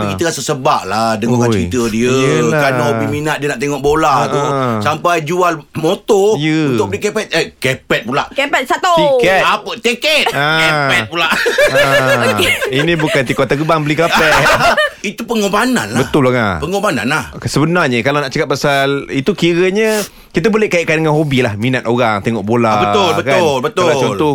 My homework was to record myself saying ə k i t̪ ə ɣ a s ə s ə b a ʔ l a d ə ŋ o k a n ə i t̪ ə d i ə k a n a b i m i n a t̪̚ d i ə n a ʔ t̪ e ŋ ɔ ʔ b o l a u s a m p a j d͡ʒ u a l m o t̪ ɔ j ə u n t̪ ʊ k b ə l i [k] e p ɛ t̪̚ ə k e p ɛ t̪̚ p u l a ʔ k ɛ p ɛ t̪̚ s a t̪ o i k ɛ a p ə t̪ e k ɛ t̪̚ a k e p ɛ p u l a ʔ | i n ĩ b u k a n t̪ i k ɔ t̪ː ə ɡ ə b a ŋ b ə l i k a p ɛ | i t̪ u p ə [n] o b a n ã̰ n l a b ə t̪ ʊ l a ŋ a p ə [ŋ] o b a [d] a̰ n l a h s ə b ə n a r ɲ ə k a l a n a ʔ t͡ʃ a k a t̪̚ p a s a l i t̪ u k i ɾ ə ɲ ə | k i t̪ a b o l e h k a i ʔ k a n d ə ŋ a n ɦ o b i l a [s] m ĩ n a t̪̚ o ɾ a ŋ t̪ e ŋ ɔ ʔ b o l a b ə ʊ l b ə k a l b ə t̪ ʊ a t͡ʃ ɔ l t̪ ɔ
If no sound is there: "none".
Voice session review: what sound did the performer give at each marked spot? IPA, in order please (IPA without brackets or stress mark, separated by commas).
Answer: k, ŋ, ŋ, n, h